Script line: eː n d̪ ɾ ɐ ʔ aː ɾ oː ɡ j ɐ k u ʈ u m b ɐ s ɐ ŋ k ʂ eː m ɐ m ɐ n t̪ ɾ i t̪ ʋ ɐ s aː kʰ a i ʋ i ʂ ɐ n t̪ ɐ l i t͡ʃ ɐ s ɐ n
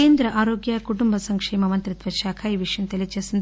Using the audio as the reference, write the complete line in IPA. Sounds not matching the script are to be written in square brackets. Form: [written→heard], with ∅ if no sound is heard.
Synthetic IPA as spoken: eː n d̪ ɾ ɐ ʔ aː ɾ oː ɡ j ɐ k u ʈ u m b ɐ s ɐ ŋ k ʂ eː m ɐ m ɐ n t̪ ɾ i t̪ ʋ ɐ [s→ʃ] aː kʰ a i ʋ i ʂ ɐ n t̪ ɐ l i t͡ʃ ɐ s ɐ n